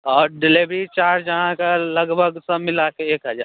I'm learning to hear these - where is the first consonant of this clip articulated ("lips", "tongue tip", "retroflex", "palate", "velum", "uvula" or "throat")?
tongue tip